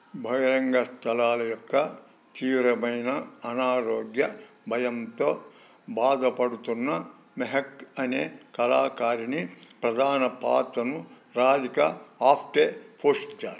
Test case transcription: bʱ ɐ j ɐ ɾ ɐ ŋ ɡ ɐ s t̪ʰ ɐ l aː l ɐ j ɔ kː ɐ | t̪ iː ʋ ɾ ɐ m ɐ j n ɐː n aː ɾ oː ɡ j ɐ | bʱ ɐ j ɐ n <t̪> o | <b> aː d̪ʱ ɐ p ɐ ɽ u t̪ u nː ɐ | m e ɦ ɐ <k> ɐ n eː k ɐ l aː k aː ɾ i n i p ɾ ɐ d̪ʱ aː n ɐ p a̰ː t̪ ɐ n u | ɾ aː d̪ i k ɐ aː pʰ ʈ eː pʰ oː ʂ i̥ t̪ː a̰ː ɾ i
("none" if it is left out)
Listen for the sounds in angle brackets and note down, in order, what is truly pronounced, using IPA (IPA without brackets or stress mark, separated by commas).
t̪, b, k